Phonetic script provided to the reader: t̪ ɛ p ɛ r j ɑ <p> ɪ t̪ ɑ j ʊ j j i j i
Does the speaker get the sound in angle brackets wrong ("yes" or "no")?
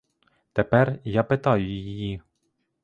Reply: no